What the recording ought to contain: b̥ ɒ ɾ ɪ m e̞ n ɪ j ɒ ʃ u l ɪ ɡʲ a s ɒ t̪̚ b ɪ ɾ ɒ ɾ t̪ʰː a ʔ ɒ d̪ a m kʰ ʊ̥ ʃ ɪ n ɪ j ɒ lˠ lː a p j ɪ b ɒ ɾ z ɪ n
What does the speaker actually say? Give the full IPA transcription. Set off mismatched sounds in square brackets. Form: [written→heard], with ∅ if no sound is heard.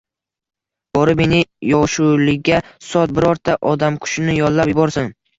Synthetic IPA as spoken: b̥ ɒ ɾ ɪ m e̞ n ɪ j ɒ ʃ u l ɪ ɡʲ a s ɒ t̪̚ b ɪ ɾ ɒ ɾ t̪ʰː a ʔ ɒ d̪ a m kʰ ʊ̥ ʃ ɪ n ɪ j ɒ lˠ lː a p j ɪ b ɒ ɾ [z→s] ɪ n